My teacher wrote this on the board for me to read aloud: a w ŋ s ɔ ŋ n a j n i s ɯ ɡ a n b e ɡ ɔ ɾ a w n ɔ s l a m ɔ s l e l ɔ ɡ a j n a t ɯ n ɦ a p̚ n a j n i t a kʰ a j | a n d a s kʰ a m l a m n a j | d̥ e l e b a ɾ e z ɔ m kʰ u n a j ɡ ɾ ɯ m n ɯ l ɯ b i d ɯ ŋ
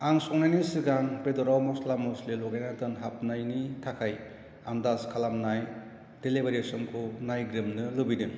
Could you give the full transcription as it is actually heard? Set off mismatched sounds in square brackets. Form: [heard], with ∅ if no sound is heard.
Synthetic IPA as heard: a [∅] ŋ s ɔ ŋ n a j n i s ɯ ɡ a n b e [d] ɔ ɾ a w [m] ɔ s l a m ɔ s l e l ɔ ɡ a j n a t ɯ n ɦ a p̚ n a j n i [tʰ] a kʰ a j | a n d a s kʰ a [∅] l a m n a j | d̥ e l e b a ɾ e [s] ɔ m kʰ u n a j ɡ ɾ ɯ m n ɯ l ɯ b i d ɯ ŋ